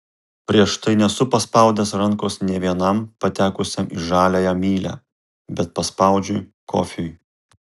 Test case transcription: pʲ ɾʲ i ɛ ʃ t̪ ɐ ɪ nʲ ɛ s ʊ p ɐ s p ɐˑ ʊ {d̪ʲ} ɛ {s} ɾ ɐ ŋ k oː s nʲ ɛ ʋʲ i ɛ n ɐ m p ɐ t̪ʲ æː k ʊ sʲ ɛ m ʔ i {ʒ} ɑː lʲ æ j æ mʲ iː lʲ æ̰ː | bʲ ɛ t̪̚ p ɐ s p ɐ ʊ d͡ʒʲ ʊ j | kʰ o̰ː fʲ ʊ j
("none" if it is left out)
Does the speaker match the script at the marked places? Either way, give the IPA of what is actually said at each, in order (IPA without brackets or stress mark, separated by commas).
d̪ʲ, s, ʒ